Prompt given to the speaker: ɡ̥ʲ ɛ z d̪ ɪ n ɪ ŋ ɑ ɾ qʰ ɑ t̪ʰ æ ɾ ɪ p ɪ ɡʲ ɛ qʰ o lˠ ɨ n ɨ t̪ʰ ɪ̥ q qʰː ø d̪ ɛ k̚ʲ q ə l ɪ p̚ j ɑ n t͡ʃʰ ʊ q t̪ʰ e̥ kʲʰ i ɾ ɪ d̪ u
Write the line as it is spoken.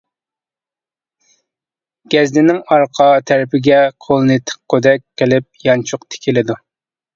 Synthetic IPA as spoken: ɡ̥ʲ ɛ z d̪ ɪ n ɪ ŋ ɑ ɾ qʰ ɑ t̪ʰ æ ɾ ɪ p ɪ ɡʲ ɛ qʰ o lˠ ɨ n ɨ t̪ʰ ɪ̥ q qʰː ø d̪ ɛ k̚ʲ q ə l ɪ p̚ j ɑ n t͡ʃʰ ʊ q t̪ʰ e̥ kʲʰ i l ɪ d̪ u

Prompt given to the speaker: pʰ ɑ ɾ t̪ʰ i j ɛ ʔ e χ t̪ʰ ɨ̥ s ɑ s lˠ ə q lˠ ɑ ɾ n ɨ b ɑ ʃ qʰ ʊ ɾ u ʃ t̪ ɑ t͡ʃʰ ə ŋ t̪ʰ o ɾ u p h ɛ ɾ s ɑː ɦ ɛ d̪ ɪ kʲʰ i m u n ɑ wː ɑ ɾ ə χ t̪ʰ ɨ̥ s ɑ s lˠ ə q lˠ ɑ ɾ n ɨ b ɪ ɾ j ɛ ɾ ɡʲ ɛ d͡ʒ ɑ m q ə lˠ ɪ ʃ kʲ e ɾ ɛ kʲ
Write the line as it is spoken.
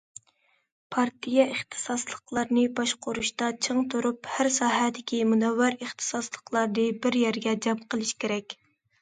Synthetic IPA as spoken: pʰ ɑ ɾ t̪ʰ i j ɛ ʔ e χ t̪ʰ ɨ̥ s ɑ s lˠ ə q lˠ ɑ ɾ n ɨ b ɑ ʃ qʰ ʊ ɾ u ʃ t̪ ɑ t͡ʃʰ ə ŋ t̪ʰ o ɾ u p h æ ɾ s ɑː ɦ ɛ d̪ ɪ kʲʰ i m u n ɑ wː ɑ ɾ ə χ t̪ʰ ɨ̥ s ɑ s lˠ ə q lˠ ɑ ɾ n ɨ b ɪ ɾ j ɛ ɾ ɡʲ ɛ d͡ʒ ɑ m q ə lˠ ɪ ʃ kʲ e ɾ ɛ kʲ

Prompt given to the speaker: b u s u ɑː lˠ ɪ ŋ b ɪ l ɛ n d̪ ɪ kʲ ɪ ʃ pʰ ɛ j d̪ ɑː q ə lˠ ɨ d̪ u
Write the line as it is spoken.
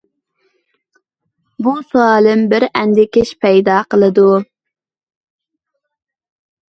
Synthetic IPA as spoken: b u s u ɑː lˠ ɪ m b ɪ ɾ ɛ n d̪ ɪ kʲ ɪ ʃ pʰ ɛ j d̪ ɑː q ə lˠ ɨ d̪ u

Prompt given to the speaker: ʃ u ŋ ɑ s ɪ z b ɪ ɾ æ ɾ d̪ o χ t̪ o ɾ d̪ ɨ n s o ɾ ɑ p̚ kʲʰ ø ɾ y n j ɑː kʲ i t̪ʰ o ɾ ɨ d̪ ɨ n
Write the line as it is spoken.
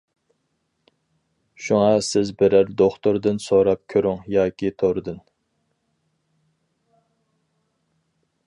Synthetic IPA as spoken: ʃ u ŋ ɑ s ɪ z b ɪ ɾ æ ɾ d̪ o χ t̪ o ɾ d̪ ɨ n s o ɾ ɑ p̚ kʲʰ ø ɾ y ŋ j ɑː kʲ i t̪ʰ o ɾ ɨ d̪ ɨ n

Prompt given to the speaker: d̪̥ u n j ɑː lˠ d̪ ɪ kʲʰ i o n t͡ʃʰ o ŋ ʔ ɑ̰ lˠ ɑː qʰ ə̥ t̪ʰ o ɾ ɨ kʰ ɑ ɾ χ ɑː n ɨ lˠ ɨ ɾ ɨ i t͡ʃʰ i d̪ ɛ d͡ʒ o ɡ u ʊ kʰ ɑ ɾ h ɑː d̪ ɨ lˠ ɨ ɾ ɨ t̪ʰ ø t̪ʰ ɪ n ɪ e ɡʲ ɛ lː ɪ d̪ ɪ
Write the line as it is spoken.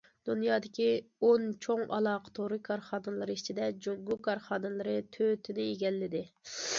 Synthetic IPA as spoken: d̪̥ u n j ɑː d̪ ɪ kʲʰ i o n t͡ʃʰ o ŋ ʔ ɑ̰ lˠ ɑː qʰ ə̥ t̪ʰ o ɾ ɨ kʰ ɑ ɾ χ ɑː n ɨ lˠ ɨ ɾ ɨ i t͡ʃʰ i d̪ ɛ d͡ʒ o ɡ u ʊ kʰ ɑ ɾ χ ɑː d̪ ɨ lˠ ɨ ɾ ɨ t̪ʰ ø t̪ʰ ɪ n ɪ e ɡʲ ɛ lː ɪ d̪ ɪ

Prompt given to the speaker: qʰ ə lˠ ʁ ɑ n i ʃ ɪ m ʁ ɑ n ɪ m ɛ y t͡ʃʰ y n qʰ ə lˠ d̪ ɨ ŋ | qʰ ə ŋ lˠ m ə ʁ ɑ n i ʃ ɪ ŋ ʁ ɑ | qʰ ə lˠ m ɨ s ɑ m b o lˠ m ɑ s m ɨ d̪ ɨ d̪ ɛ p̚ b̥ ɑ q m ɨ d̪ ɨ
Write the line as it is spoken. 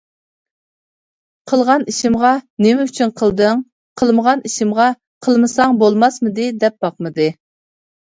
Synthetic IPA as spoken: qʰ ə lˠ ʁ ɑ n i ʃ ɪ m ʁ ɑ n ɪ m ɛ y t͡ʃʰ y n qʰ ə lˠ d̪ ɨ ŋ | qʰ ə lˠ m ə ʁ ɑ n i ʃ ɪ m ʁ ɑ | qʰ ə lˠ m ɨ s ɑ ŋ b o lˠ m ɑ s m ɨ d̪ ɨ d̪ ɛ p̚ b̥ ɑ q m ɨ d̪ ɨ

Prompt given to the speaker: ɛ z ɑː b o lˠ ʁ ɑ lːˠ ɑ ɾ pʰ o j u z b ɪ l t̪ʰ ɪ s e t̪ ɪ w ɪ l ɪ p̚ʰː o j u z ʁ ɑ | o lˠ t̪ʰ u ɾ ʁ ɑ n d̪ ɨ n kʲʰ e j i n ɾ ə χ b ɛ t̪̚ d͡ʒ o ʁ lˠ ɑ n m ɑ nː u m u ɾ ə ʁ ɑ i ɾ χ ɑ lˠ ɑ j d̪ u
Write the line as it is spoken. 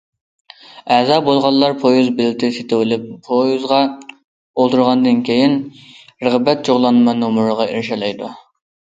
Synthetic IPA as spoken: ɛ z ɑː b o lˠ ʁ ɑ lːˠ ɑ ɾ pʰ o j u z b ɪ l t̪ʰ ɪ s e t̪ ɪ w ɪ l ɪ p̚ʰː o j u z ʁ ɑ | o lˠ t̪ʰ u ɾ ʁ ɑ n d̪ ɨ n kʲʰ e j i n ɾ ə ʁ b ɛ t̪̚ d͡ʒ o ʁ lˠ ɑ n m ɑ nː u m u ɾ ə ʁ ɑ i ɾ ʃ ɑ lˠ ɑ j d̪ u

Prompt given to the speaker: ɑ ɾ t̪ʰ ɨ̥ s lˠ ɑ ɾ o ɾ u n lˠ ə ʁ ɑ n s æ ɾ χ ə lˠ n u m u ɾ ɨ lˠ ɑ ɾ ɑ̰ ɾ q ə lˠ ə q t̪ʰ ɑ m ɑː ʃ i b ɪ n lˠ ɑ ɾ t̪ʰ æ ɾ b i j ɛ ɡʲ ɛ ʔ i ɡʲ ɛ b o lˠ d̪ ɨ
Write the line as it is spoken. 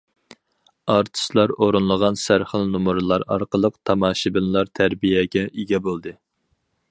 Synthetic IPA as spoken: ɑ ɾ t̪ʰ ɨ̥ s lˠ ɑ ɾ o ɾ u n lˠ ə ʁ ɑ n s æ ɾ χ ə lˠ n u m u ɾ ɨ lˠ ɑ ɾ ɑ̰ ɾ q ə lˠ ə q t̪ʰ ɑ m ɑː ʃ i b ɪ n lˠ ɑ ɾ t̪ʰ æ ɾ b i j ɛ ɡʲ ɛ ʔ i ɡʲ ɛ b o lˠ d̪ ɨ

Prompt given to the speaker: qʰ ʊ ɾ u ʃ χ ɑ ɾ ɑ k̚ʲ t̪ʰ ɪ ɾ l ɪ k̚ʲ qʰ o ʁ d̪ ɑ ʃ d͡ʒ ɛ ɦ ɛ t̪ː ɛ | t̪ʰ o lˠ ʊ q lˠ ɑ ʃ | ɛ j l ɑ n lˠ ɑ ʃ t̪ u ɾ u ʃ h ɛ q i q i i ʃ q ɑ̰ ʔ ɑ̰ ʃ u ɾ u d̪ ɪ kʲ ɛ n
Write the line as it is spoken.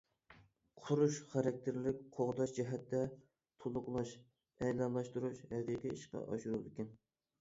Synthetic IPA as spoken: qʰ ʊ ɾ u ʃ χ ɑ ɾ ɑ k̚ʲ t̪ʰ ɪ ɾ l ɪ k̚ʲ qʰ o ʁ d̪ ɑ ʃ d͡ʒ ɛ ɦ ɛ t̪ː ɛ | t̪ʰ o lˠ ʊ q lˠ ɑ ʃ | ɛ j l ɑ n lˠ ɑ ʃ t̪ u ɾ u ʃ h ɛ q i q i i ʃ q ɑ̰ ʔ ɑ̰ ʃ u ɾ u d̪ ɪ kʲ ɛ n

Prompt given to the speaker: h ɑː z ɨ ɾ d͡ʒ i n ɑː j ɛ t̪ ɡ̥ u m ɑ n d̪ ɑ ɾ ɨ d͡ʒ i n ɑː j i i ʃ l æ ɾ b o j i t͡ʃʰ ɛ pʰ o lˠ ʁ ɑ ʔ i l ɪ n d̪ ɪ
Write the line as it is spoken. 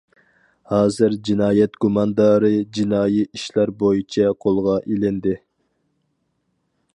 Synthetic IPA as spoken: h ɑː z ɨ ɾ d͡ʒ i n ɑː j ɛ t̪ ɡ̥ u m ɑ n d̪ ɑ ɾ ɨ d͡ʒ i n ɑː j i i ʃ l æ ɾ b o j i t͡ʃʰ ɛ qʰ o lˠ ʁ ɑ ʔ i l ɪ n d̪ ɪ

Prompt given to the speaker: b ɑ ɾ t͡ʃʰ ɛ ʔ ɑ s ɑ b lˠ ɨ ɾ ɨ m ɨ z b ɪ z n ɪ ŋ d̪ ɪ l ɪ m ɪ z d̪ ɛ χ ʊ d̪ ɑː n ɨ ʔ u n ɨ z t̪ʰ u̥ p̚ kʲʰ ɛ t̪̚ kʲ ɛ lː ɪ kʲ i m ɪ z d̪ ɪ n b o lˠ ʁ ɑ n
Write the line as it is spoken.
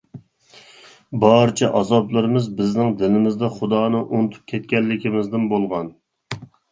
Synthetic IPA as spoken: b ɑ ɾ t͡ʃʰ ɛ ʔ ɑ z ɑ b lˠ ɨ ɾ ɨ m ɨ z b ɪ z n ɪ ŋ d̪ ɪ l ɪ m ɪ z d̪ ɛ χ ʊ d̪ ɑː n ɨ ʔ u n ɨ t̪ʰ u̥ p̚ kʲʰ ɛ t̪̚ kʲ ɛ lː ɪ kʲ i m ɪ z d̪ ɪ n b o lˠ ʁ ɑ n

